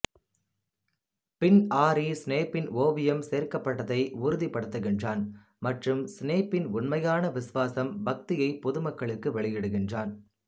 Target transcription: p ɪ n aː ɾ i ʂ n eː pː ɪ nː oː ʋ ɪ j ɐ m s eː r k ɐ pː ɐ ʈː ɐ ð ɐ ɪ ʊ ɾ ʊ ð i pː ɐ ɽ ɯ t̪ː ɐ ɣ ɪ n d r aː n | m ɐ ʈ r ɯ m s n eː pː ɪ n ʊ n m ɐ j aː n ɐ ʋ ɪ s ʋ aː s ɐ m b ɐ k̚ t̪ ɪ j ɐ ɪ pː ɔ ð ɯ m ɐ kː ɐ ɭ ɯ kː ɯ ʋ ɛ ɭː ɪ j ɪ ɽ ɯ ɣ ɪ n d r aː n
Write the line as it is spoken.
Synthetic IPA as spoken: p ɪ n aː ɾ i s n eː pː ɪ n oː ʋ ɪ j ɐ m s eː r k ɐ pː ɐ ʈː ɐ ð ɐ ɪ ʊ ɾ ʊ ð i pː ɐ ɽ ɯ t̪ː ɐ ɣ ɪ n d r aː n | m ɐ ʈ r ɯ m s n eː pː ɪ n ʊ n m ɐ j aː n ɐ ʋ ɪ s ʋ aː s ɐ m b ɐ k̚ t̪ ɪ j ɐ ɪ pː ɔ ð ɯ m ɐ kː ɐ ɭ ɯ kː ɯ ʋ ɛ ɭ ɪ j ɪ ɽ ɯ ɣ ɪ n d r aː n